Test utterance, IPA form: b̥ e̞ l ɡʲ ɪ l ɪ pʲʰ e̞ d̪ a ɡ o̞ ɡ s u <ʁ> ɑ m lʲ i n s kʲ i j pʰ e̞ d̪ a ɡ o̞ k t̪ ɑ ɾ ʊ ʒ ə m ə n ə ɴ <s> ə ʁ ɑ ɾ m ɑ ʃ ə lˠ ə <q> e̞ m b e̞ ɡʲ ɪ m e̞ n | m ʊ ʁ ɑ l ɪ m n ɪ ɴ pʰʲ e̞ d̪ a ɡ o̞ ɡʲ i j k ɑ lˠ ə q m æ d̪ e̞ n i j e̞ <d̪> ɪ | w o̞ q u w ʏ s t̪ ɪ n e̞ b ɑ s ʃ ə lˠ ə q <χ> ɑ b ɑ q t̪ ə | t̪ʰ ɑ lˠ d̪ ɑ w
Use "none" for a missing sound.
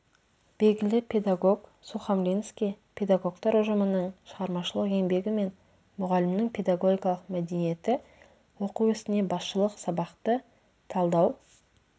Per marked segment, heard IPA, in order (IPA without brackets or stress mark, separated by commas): χ, ʃ, q, t̪, s